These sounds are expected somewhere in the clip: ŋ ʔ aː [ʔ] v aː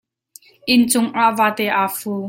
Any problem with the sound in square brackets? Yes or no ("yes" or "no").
no